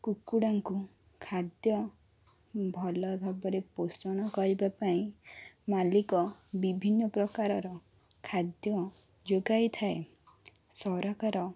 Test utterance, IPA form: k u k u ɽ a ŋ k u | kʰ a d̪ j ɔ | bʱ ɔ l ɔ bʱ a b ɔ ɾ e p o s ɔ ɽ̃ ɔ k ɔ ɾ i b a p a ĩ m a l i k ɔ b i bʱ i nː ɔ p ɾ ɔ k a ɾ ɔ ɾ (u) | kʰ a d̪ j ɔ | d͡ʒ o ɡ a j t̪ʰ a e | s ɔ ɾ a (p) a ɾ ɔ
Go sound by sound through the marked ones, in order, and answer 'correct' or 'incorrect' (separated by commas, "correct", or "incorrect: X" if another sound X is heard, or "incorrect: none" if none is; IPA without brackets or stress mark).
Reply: incorrect: ɔ, incorrect: k